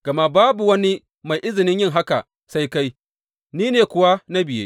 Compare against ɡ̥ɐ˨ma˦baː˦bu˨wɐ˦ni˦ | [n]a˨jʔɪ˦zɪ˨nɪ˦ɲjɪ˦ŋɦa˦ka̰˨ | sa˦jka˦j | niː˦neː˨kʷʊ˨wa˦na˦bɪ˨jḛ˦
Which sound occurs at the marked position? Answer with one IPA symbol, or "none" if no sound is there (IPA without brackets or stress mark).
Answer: m